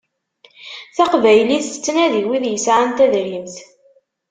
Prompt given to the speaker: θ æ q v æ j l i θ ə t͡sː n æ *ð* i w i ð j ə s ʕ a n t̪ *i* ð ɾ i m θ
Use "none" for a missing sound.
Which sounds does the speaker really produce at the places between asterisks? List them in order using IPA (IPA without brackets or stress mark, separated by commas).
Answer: ð, æ